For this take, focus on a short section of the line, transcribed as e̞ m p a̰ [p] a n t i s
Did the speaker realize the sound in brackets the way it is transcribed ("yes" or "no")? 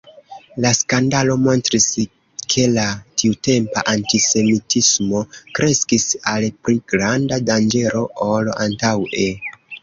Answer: no